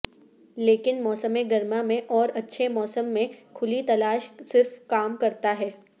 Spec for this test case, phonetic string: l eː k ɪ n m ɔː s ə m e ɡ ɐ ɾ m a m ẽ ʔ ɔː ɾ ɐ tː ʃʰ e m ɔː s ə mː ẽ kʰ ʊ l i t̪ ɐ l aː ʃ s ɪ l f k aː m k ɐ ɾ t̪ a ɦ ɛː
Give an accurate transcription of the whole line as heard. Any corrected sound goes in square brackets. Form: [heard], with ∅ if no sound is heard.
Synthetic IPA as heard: l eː k ɪ n m ɔː s ə m e ɡ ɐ ɾ m a m ẽ ʔ ɔː ɾ ɐ tː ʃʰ e m ɔː s ə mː ẽ kʰ ʊ l i t̪ ɐ l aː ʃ s ɪ [ɾ] f k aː m k ɐ ɾ t̪ a ɦ ɛː

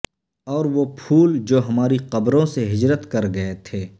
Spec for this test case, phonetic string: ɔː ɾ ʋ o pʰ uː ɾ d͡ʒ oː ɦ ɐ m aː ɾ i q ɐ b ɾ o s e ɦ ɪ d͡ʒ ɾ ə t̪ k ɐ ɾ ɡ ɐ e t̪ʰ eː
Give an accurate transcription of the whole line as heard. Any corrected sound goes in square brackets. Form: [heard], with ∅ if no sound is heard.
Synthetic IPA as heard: ɔː ɾ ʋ o pʰ uː [l] d͡ʒ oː ɦ ɐ m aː ɾ i q ɐ b ɾ [õ] s e ɦ ɪ d͡ʒ ɾ ə t̪ k ɐ ɾ ɡ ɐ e t̪ʰ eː

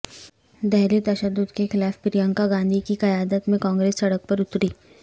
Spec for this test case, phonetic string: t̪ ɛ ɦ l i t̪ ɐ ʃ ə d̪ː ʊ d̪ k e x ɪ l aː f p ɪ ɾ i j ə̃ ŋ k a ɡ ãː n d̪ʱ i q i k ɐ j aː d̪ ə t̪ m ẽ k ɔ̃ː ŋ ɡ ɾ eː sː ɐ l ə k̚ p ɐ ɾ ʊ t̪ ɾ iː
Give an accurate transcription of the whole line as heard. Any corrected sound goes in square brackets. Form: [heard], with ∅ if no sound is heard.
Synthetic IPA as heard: [d̪] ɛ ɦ l i t̪ ɐ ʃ ə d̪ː ʊ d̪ k e x ɪ l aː f p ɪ ɾ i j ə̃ ŋ k a ɡ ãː n d̪ʱ i [k] i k ɐ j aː d̪ ə t̪ m ẽ k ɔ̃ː ŋ ɡ ɾ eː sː ɐ [ɽ] ə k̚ p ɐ ɾ ʊ t̪ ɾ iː

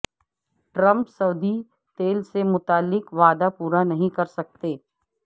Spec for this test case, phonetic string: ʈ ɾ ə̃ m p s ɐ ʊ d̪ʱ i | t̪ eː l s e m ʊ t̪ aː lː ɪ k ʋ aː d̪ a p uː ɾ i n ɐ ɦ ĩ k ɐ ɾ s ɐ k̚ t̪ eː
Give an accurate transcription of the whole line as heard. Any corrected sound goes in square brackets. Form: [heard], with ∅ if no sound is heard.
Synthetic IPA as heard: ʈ ɾ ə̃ m p s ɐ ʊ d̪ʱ i | t̪ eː l s e m ʊ t̪ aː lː ɪ k ʋ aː d̪ a p uː ɾ [a] n ɐ ɦ ĩ k ɐ ɾ s ɐ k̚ t̪ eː

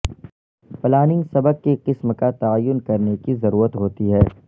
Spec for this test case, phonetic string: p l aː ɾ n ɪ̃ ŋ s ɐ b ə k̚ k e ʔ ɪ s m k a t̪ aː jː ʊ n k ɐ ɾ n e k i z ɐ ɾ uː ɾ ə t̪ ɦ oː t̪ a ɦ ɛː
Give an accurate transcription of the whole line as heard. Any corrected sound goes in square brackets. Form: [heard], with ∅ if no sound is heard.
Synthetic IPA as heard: p l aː [∅] n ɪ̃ ŋ s ɐ b ə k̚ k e [q] ɪ s m k a t̪ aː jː ʊ n k ɐ ɾ n e k i z ɐ ɾ uː ɾ ə t̪ ɦ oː t̪ [i] ɦ ɛː

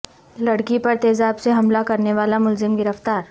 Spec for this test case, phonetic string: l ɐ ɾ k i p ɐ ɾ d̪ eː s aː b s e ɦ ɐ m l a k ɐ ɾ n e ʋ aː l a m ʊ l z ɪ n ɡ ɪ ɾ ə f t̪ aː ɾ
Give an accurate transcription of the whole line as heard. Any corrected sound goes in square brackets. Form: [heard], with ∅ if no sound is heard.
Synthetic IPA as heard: l ɐ [ɽ] k i p ɐ ɾ [t̪] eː [z] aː b s e ɦ ɐ m l a k ɐ ɾ n e ʋ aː l a m ʊ l z ɪ [m] ɡ ɪ ɾ ə f t̪ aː ɾ

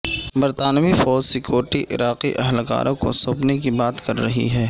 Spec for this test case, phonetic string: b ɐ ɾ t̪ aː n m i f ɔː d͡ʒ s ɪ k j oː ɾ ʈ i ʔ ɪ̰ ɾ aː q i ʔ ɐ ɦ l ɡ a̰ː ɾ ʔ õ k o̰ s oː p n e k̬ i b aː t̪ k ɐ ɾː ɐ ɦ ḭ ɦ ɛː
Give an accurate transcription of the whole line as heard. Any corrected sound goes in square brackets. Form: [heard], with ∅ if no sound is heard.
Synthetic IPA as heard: b ɐ ɾ t̪ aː n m i f ɔː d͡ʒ s ɪ k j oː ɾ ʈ i ʔ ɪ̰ ɾ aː q i ʔ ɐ ɦ l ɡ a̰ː ɾ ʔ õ k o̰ s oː p n e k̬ i b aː t̪ k ɐ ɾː ɐ ɦ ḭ ɦ ɛː

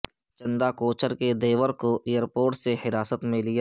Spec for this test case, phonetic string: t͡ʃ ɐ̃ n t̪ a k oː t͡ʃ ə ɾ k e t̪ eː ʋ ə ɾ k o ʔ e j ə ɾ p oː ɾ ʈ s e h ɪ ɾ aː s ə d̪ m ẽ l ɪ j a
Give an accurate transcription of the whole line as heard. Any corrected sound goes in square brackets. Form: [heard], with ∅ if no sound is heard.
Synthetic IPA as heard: t͡ʃ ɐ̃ n [d̪] a k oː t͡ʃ ə ɾ k e [d̪] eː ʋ ə ɾ k o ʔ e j ə ɾ p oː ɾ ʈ s e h ɪ ɾ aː s ə [t̪] m ẽ l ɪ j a

